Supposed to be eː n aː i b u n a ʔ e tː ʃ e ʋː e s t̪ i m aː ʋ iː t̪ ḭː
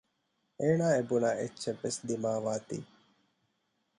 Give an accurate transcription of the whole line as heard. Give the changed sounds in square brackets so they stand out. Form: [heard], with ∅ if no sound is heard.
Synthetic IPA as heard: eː n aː [e] b u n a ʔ e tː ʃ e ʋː e s [d̪] i m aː ʋ [aː] t̪ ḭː